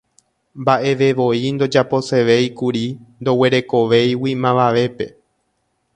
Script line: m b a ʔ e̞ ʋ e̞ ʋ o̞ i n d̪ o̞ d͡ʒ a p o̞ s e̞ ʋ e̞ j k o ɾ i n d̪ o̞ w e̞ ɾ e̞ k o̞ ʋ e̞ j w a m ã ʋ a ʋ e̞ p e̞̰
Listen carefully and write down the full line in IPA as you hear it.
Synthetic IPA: m b a ʔ e̞ ʋ e̞ ʋ o̞ i n d̪ o̞ d͡ʒ a p o̞ s e̞ ʋ e̞ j k u ɾ i n d̪ o̞ w e̞ ɾ e̞ k o̞ ʋ e̞ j w i m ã ʋ a ʋ e̞ p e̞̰